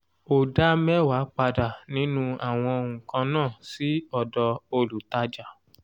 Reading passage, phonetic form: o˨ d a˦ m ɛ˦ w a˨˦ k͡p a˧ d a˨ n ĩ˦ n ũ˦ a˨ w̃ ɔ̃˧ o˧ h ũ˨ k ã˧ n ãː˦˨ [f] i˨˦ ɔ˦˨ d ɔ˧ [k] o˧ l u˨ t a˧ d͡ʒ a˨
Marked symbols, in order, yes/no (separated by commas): no, no